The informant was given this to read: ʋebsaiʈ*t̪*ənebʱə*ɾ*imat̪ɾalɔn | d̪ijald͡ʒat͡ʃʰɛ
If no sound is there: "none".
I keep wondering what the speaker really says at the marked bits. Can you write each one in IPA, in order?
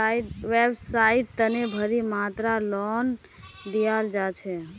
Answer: t̪, ɾ

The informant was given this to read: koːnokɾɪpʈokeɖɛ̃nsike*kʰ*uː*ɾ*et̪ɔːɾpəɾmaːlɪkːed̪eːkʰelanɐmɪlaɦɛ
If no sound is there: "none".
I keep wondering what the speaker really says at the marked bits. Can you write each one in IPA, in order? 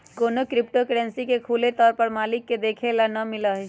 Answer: kʰ, l

